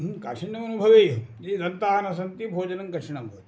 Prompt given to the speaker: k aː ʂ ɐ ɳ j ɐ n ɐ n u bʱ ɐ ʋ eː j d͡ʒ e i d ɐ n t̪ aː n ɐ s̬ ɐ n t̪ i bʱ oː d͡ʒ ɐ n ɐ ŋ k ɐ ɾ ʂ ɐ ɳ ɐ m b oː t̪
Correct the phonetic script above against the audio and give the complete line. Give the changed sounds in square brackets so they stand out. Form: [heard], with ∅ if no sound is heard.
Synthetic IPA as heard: k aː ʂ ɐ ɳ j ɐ [m] ɐ n u bʱ ɐ ʋ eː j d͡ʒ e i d ɐ n t̪ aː n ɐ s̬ ɐ n t̪ i bʱ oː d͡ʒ ɐ n ɐ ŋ k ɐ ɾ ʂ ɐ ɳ ɐ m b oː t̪